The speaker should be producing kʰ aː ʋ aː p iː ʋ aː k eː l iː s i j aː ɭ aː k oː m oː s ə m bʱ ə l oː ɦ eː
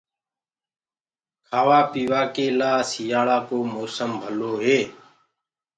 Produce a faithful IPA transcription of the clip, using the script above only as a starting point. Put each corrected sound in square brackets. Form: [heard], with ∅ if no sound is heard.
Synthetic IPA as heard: kʰ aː ʋ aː p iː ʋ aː k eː l [aː] s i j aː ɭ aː k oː m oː s ə m bʱ ə l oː ɦ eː